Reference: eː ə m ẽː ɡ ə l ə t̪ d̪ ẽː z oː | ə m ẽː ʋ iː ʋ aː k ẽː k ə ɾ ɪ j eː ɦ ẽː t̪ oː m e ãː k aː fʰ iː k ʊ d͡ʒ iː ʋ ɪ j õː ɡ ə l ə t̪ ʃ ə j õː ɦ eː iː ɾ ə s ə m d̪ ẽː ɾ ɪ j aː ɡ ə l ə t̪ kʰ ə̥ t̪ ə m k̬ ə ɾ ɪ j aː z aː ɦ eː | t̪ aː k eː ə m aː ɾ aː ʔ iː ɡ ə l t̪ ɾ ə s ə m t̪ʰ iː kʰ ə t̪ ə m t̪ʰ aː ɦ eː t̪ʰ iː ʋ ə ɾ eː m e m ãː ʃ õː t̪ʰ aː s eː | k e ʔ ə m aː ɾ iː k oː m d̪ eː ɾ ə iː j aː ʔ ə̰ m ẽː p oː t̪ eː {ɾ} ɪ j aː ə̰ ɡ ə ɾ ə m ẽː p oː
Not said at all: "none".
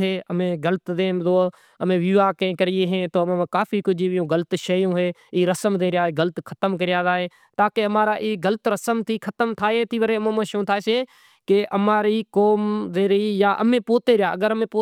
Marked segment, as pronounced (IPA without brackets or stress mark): ɾ